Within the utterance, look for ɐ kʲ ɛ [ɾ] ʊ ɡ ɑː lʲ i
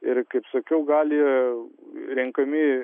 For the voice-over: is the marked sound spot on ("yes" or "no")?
no